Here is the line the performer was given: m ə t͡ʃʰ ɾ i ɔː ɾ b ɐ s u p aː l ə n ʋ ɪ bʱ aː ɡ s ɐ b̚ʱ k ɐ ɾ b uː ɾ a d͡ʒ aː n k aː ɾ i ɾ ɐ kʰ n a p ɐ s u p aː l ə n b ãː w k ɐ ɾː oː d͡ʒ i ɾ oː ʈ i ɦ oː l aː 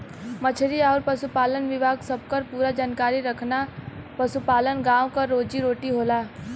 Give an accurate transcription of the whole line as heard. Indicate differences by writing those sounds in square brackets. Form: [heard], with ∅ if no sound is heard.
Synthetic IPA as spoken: m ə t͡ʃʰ ɾ i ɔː ɾ [p] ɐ s u p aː l ə n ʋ ɪ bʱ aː ɡ s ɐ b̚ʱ k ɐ ɾ [p] uː ɾ a d͡ʒ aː n k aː ɾ i ɾ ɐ kʰ n a p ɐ s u p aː l ə n [ɡ] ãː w k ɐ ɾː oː d͡ʒ i ɾ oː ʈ i ɦ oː l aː